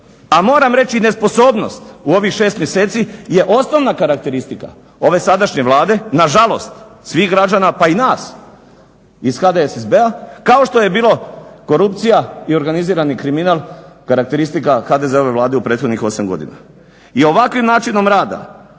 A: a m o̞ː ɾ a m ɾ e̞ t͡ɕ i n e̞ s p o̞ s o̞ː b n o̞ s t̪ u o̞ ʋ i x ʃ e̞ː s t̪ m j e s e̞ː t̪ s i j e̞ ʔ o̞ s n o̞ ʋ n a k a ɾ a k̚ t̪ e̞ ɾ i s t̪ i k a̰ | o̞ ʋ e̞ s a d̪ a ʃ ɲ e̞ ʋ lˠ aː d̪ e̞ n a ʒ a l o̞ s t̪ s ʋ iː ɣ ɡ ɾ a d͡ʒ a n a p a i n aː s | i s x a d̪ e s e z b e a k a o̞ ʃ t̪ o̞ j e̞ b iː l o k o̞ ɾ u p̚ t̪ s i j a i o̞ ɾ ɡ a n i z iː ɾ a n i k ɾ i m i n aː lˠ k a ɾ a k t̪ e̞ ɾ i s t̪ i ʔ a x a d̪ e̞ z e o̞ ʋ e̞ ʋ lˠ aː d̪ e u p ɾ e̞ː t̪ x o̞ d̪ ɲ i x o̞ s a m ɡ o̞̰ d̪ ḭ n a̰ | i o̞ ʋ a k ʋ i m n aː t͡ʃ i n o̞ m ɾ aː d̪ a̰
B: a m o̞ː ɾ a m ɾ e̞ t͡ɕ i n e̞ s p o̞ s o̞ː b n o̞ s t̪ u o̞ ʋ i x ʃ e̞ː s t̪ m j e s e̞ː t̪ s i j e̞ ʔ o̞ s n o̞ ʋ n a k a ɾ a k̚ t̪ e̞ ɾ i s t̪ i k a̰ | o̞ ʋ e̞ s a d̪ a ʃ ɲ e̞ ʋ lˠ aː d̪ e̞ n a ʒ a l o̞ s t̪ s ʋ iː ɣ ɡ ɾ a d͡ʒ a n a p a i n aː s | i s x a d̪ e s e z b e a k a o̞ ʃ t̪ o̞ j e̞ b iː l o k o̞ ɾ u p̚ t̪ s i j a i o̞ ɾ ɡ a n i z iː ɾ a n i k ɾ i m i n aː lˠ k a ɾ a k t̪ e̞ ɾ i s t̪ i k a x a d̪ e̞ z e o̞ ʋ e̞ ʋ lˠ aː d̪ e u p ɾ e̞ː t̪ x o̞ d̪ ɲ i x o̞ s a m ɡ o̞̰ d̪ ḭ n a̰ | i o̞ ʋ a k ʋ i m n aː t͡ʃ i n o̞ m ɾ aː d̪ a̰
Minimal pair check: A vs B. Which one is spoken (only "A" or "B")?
B